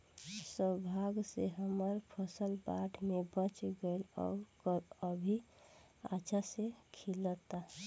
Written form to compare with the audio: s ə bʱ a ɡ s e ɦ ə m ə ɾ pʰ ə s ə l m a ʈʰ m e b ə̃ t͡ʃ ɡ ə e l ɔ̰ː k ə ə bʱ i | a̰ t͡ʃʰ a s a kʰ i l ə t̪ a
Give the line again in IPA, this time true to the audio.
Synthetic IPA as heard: s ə bʱ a ɡ s e ɦ ə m ə ɾ pʰ ə s ə l b a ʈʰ m e b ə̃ t͡ʃ ɡ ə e l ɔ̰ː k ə ə bʱ i | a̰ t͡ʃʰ a s e kʰ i l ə t̪ a